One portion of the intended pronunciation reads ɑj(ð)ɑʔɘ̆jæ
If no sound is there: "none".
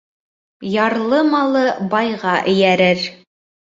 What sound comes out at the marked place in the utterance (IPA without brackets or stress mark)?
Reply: ʁ